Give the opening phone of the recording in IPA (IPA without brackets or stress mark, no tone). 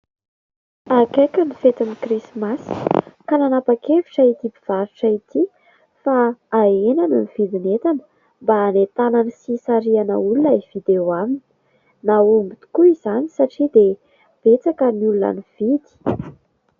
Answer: a